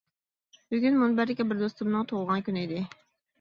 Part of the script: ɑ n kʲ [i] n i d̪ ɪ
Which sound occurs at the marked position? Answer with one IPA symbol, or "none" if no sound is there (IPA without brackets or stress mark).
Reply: y